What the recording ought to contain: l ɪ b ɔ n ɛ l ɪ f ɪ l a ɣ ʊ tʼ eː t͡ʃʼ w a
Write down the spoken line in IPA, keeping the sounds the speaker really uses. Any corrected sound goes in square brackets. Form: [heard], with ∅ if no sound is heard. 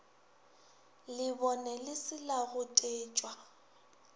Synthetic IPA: l ɪ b ɔ n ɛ l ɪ [s] ɪ l a ɣ ʊ tʼ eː t͡ʃʼ w a